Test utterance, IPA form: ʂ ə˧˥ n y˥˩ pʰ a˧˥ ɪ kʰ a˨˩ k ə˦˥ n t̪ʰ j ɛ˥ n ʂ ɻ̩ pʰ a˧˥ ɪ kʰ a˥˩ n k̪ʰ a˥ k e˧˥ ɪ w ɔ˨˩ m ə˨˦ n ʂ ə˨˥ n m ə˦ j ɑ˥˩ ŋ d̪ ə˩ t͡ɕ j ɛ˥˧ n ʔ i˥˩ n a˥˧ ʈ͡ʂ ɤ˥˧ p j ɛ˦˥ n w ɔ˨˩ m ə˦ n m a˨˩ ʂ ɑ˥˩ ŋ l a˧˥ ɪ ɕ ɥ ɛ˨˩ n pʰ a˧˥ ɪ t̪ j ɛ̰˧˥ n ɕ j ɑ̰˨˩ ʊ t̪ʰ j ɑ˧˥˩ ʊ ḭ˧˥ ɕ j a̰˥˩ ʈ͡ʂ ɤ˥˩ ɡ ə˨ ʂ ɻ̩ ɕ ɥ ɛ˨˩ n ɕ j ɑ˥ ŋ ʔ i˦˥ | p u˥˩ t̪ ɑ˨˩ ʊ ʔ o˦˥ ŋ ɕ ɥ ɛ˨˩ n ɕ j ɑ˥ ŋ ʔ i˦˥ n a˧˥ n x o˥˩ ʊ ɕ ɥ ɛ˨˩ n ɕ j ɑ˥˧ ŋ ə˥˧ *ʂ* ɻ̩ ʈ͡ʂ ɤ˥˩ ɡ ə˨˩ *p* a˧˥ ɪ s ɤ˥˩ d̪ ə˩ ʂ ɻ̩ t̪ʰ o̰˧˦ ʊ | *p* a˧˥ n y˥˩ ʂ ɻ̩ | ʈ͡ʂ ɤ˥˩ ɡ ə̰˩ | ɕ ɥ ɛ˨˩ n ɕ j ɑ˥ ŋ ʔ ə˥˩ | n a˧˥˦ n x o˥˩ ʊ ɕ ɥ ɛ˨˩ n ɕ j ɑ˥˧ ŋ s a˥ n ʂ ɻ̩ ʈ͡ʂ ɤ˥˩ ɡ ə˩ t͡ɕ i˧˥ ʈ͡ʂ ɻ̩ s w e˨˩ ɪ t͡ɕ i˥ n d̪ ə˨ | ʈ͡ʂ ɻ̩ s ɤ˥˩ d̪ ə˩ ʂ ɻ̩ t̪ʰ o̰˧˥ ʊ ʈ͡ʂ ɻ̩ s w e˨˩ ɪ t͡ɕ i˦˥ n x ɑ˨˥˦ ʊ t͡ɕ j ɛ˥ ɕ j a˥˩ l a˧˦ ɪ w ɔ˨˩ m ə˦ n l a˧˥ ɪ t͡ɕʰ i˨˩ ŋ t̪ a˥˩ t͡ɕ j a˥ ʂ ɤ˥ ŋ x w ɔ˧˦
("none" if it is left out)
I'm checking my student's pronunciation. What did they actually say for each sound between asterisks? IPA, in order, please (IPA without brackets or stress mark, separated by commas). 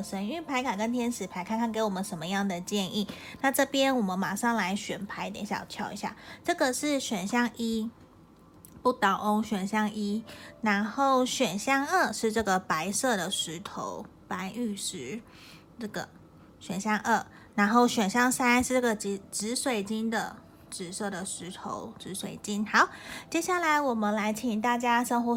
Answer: ʂ, p, p